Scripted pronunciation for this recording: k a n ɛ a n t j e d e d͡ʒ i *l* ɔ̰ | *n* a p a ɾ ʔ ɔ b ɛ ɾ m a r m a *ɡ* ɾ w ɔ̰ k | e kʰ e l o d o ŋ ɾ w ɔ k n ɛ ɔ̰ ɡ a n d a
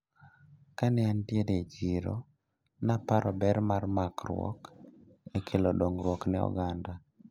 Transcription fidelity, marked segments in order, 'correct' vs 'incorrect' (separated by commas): incorrect, correct, incorrect